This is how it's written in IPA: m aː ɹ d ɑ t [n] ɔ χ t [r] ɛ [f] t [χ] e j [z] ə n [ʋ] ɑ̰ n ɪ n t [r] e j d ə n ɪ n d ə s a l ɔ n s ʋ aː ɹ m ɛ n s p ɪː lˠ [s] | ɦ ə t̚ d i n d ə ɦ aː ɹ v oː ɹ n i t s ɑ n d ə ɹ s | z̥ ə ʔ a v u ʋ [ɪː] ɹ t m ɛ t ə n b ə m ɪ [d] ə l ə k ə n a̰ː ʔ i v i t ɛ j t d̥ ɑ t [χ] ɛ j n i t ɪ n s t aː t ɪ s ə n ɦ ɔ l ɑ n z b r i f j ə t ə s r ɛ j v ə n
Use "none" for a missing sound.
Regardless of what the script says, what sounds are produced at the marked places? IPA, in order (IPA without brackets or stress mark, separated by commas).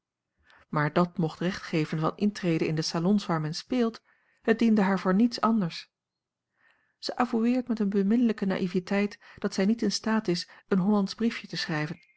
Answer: m, r, χ, χ, v, v, r, t, ɪː, n, s